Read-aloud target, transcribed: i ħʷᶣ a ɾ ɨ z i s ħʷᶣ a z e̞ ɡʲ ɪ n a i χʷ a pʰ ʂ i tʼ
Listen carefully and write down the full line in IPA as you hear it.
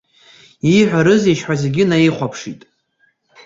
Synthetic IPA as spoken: i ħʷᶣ a ɾ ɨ z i ʃ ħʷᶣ a z e̞ ɡʲ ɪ n a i χʷ a pʰ ʂ i tʼ